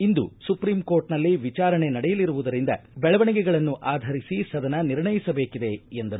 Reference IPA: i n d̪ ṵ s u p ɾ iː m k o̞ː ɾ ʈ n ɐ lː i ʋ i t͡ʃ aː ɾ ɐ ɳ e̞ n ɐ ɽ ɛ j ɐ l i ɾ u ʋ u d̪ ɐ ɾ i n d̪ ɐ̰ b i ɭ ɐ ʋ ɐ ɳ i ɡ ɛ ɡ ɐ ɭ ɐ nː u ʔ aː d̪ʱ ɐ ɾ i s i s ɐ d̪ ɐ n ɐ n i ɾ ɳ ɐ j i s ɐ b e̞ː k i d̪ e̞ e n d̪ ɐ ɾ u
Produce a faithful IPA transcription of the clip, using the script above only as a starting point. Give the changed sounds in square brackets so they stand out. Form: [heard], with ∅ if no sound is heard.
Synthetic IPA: i n d̪ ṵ s u p ɾ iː m k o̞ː ɾ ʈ n ɐ lː i ʋ i t͡ʃ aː ɾ ɐ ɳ e̞ n ɐ ɽ ɛ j ɐ l i ɾ u ʋ u d̪ ɐ ɾ i n d̪ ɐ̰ b [ɛ] ɭ ɐ ʋ ɐ ɳ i ɡ ɛ ɡ ɐ ɭ ɐ nː u ʔ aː d̪ʱ ɐ ɾ i s i s ɐ d̪ ɐ n ɐ n i ɾ ɳ ɐ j i s ɐ b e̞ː k i d̪ e̞ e n d̪ ɐ ɾ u